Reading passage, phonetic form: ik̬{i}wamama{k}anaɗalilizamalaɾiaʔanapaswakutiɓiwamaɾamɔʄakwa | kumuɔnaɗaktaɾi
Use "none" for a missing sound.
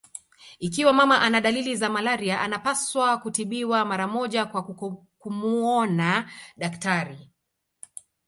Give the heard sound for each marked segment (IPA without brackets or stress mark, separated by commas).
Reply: i, ʔ